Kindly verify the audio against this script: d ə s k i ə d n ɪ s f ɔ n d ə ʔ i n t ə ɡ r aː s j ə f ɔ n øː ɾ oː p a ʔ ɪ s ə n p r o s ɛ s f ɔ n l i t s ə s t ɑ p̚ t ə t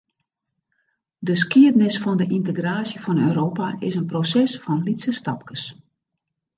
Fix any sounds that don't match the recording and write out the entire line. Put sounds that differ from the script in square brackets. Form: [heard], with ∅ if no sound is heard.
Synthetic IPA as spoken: d ə s k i ə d n ɪ s f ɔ n d ə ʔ i n t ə ɡ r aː s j ə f ɔ n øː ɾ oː p a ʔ ɪ s ə n p r o s ɛ s f ɔ n l i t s ə s t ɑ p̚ [k] ə [s]